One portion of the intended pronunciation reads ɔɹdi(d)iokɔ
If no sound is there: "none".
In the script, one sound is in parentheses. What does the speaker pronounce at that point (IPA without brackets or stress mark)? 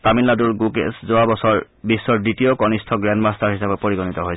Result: t